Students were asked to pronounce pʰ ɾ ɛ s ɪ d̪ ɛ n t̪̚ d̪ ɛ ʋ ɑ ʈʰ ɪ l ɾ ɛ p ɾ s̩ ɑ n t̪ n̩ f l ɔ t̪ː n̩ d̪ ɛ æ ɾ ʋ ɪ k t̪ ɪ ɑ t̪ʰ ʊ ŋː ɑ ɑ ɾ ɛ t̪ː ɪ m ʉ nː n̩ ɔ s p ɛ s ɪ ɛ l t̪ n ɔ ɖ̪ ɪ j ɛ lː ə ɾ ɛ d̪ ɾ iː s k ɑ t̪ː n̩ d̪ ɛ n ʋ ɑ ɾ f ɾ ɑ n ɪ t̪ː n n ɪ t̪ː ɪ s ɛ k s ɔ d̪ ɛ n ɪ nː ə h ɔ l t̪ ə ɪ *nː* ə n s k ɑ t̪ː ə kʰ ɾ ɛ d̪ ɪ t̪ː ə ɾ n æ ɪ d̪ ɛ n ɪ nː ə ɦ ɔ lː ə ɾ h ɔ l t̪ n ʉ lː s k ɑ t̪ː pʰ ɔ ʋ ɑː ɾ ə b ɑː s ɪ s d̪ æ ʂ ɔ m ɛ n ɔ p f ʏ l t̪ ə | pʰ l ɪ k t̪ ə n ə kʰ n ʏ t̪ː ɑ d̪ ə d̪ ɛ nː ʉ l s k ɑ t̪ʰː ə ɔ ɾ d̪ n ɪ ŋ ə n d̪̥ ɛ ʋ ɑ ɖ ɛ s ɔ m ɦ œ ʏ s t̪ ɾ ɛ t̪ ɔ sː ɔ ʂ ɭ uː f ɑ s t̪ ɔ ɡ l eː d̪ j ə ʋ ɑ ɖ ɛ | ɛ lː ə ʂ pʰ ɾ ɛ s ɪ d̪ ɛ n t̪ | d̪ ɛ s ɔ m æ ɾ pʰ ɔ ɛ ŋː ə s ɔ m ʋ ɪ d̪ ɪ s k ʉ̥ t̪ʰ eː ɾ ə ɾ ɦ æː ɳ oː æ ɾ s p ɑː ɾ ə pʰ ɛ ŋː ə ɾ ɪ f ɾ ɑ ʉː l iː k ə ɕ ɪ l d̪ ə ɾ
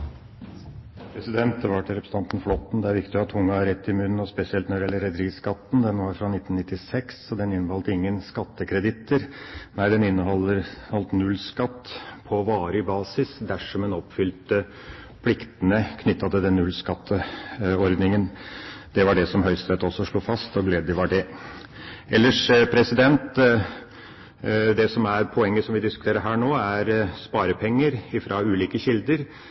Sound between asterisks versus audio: incorrect: ŋː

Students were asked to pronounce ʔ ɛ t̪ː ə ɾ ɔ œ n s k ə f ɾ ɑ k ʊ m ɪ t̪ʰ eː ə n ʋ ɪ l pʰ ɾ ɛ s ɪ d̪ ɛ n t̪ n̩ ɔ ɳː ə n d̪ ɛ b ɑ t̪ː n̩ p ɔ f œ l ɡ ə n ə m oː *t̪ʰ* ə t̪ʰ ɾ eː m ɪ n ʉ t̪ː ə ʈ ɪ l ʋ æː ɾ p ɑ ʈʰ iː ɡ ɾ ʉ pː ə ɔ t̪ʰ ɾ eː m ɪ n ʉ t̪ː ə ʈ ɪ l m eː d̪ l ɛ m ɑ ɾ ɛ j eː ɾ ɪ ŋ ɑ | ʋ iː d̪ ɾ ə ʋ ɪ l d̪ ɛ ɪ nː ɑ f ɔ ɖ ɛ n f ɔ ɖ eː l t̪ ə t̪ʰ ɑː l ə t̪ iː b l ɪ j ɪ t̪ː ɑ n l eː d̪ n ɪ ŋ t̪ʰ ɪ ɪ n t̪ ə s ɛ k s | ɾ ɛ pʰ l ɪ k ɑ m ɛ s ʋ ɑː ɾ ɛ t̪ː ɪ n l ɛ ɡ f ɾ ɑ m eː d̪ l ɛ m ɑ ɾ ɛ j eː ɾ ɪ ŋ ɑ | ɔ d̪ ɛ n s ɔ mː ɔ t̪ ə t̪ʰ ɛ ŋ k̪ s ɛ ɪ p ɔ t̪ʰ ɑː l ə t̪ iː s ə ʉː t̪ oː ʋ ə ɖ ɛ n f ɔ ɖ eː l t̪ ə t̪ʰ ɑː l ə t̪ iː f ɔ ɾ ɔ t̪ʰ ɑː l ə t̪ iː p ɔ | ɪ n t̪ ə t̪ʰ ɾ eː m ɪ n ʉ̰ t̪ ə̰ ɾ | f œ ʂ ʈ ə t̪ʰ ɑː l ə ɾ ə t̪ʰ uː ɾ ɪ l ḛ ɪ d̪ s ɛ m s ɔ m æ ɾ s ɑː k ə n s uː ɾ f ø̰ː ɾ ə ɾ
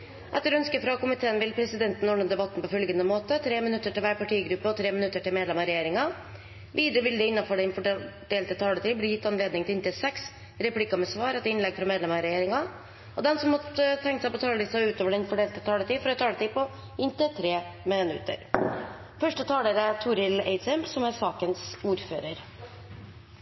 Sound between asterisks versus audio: incorrect: t̪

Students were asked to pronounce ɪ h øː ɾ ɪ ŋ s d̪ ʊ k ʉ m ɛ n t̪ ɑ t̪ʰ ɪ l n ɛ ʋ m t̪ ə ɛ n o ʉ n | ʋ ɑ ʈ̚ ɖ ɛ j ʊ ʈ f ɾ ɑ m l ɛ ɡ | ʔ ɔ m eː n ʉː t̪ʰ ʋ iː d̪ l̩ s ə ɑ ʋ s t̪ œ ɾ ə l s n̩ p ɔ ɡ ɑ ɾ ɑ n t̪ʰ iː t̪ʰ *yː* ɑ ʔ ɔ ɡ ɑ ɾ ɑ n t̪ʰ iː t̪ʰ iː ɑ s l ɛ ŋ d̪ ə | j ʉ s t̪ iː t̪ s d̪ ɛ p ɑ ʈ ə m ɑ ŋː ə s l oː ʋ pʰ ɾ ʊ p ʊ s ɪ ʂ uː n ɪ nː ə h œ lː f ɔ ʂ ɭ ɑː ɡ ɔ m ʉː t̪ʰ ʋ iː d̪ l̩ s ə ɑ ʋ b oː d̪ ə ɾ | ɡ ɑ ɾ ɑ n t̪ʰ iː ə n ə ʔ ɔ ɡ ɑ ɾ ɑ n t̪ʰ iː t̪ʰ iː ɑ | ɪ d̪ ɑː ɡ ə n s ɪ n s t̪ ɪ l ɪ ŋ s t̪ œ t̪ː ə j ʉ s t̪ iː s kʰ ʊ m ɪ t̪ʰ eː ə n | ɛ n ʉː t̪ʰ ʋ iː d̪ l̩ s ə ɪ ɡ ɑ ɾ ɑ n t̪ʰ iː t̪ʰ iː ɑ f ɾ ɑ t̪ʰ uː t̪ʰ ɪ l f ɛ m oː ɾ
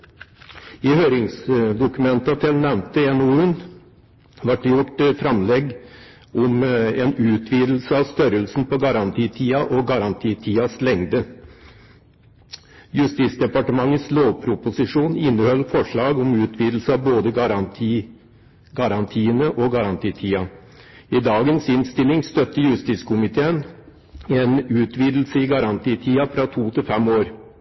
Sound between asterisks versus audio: incorrect: iː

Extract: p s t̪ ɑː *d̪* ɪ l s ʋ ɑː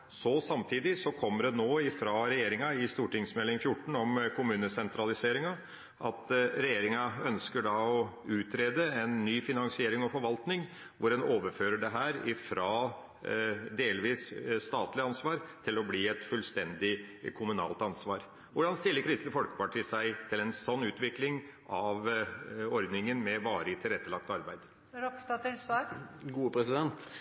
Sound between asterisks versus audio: incorrect: t̪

